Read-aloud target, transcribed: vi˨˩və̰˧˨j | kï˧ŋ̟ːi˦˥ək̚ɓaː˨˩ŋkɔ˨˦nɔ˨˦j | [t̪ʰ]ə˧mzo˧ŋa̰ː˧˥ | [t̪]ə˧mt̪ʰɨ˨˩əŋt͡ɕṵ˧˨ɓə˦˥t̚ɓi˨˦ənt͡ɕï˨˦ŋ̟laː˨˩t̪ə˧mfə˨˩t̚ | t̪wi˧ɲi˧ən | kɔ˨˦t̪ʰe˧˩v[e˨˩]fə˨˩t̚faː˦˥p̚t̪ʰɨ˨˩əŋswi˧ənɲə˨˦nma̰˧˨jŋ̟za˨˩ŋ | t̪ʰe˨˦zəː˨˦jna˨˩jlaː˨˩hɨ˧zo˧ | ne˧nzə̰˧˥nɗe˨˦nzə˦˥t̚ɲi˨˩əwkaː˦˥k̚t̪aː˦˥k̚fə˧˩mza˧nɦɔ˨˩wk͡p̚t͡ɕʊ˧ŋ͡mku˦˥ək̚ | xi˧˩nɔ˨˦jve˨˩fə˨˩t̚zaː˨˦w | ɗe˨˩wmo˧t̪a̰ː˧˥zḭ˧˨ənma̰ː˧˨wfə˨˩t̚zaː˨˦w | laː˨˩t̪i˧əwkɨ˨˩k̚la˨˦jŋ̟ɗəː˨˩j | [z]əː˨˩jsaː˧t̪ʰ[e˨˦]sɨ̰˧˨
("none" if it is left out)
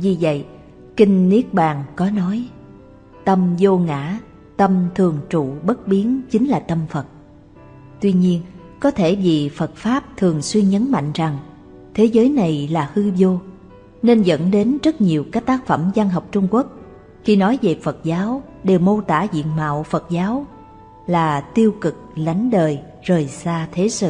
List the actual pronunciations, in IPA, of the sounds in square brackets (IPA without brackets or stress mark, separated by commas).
t̪, t̪, i˨˩, z, e˨˦